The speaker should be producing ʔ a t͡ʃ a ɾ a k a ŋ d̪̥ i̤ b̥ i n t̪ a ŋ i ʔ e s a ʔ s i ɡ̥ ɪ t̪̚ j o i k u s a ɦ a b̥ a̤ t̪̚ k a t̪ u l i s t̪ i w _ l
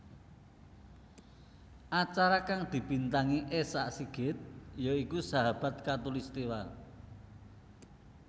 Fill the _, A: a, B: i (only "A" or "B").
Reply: A